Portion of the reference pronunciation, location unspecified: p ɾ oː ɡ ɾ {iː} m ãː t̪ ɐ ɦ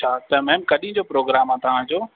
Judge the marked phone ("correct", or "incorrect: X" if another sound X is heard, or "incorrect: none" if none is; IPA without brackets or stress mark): incorrect: aː